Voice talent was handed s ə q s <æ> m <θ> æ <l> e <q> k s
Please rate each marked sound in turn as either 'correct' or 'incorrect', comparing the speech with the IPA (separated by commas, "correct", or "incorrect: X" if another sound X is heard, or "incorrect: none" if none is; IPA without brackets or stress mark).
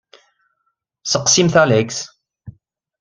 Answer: incorrect: i, correct, correct, incorrect: none